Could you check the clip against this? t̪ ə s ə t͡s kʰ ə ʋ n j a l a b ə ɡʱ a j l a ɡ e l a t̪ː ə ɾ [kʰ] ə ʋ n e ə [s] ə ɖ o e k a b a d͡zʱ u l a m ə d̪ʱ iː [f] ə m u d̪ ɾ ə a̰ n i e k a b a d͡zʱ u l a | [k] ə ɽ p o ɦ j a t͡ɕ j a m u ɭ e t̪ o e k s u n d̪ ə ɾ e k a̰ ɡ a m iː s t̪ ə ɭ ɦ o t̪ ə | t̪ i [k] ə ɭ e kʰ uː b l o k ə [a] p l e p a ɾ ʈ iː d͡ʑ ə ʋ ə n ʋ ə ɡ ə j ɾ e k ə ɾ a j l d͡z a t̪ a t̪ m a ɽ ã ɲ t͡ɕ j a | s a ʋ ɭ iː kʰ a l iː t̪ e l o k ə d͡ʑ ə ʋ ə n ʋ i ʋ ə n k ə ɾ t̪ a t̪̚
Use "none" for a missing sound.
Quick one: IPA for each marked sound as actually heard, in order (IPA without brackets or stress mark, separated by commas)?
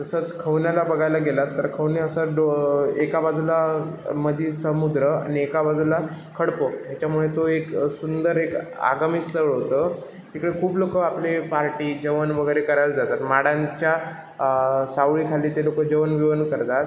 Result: kʰ, s, s, kʰ, k, a